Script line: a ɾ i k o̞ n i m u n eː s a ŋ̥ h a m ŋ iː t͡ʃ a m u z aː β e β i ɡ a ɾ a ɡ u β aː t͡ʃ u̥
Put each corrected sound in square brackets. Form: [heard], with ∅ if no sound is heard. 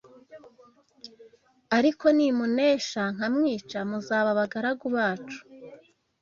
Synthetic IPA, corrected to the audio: a ɾ i k o̞ n i m u n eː [ʃ] a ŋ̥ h a m ŋ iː t͡ʃ a m u z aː β [a] β [a] ɡ a ɾ a ɡ u β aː t͡ʃ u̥